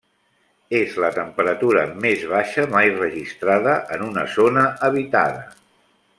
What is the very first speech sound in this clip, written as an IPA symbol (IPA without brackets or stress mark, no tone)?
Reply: e